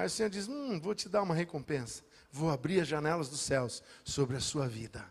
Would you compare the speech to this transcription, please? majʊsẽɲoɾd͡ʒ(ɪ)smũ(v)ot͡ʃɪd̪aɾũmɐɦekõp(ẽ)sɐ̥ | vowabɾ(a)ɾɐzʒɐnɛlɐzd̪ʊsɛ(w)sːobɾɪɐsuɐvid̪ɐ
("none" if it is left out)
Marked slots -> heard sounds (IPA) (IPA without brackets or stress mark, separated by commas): i, v, ẽ, i, w